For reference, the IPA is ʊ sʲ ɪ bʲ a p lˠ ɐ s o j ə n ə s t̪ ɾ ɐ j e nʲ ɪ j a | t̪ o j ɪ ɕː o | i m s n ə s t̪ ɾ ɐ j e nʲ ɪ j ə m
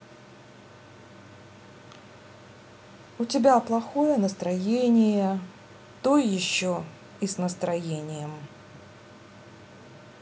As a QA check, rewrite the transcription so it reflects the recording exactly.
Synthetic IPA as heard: ʊ tʲ ɪ bʲ a p lˠ ɐ x o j ə n ə s t̪ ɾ ɐ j e nʲ ɪ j ə | t̪ o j ɪ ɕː o | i s n ə s t̪ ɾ ɐ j e nʲ ɪ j ə m